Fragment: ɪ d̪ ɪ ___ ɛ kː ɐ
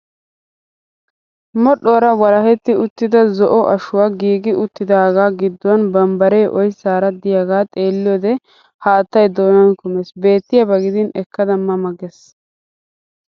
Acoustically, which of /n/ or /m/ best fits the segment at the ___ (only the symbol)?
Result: n